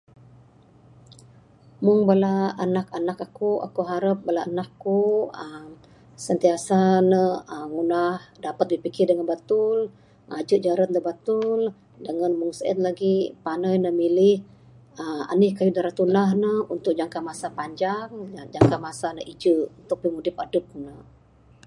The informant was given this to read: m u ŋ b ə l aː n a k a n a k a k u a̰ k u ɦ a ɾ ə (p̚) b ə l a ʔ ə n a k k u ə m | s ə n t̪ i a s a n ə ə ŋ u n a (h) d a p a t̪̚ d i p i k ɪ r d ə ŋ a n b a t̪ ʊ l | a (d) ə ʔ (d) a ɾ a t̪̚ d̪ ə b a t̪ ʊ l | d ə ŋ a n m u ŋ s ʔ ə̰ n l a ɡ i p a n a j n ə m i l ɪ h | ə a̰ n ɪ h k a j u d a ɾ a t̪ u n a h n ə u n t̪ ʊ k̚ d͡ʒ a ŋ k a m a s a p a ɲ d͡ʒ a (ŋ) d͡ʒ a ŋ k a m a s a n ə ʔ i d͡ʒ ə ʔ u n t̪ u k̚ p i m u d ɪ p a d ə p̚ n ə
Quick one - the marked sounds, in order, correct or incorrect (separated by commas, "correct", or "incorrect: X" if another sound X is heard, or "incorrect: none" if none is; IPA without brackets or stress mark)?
correct, correct, incorrect: d͡ʒ, incorrect: d͡ʒ, correct